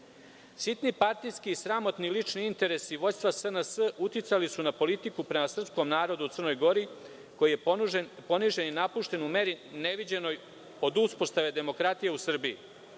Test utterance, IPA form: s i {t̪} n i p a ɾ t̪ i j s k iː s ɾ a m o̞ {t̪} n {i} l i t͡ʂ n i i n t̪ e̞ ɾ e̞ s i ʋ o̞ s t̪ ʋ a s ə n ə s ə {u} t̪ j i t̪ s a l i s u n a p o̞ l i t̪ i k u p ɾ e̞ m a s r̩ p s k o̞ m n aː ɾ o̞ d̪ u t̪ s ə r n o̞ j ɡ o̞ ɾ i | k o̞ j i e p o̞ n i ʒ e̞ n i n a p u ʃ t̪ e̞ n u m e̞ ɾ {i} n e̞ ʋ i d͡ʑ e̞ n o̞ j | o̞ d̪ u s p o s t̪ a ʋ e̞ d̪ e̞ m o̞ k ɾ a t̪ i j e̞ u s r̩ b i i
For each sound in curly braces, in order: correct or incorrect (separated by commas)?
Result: correct, correct, correct, correct, correct